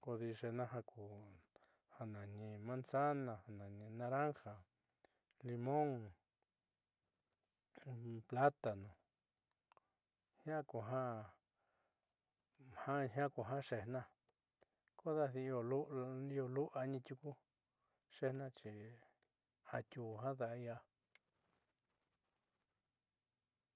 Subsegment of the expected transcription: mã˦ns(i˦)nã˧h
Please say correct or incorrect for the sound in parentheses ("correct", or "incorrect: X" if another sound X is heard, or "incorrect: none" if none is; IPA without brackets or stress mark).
incorrect: a˦